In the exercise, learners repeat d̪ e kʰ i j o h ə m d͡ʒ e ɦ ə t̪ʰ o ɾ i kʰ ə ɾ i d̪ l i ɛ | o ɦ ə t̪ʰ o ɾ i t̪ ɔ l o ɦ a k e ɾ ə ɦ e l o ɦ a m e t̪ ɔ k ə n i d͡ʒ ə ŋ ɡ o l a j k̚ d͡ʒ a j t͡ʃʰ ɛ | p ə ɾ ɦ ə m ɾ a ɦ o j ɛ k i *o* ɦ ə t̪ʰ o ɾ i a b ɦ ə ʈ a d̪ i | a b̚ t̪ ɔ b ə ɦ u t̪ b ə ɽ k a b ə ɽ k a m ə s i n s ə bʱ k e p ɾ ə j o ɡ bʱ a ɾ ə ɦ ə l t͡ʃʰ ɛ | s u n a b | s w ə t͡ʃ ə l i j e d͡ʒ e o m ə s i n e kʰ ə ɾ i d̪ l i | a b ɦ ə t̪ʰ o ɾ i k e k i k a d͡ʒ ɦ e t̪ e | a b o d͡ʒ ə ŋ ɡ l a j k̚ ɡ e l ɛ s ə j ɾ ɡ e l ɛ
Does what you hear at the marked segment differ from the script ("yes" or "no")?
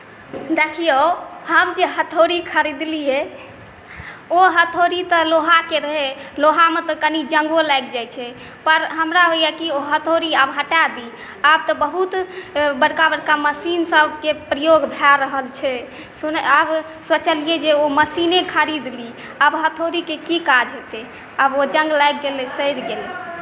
no